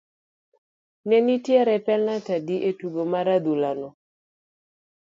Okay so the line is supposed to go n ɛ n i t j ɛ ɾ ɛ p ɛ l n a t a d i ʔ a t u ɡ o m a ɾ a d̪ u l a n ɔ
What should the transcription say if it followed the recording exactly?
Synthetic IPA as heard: n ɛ n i t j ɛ ɾ ɛ p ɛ l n a t a d i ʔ e t u ɡ o m a ɾ a d̪ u l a n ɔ